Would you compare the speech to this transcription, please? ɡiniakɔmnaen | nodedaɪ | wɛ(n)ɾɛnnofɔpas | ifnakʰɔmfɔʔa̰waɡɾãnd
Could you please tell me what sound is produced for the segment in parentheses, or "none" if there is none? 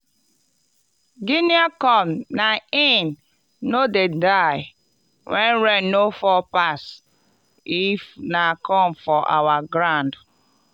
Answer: n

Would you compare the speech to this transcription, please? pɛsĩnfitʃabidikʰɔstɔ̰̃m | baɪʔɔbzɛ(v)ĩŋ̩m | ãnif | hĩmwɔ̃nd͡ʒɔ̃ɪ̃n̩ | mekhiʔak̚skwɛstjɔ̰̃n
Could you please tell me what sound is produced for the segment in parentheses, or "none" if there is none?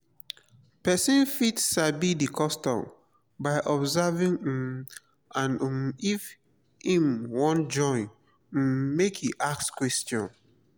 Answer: v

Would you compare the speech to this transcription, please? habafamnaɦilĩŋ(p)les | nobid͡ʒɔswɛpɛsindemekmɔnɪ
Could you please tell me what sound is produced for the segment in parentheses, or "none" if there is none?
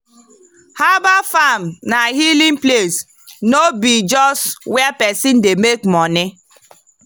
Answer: p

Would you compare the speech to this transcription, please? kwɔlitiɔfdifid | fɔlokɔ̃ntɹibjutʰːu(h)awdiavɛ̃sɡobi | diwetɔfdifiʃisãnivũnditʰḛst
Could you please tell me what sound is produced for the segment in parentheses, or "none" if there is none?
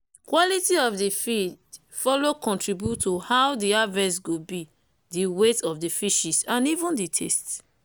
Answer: h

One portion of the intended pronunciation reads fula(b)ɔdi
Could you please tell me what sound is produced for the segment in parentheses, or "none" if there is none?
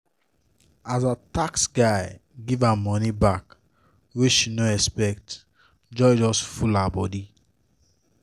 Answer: b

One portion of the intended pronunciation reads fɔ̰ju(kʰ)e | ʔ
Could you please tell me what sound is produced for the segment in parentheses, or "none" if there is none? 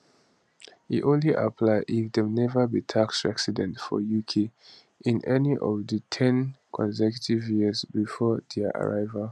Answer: kʰ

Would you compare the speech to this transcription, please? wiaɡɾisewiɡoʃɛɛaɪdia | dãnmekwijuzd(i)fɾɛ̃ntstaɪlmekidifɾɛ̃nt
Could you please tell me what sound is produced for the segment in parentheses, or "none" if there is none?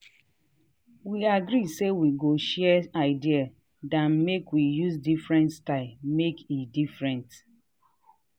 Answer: i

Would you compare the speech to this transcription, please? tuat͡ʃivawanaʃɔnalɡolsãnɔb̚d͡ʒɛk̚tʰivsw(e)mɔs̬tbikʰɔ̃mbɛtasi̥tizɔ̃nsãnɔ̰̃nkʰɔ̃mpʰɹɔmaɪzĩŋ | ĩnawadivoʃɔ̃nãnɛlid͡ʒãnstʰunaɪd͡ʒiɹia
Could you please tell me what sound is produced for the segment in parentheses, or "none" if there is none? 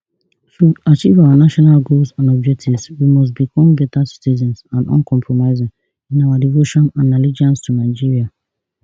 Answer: i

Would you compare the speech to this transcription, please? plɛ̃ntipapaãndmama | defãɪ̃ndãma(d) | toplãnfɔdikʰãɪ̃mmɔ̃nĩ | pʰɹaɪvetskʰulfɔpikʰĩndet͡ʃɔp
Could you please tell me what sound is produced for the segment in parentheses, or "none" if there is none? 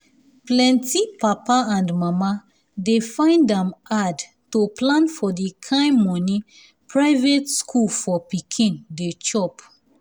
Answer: d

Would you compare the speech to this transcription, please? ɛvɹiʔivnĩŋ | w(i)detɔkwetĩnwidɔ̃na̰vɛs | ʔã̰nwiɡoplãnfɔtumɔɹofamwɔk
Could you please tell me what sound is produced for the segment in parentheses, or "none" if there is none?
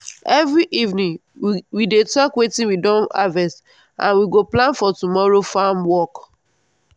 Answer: i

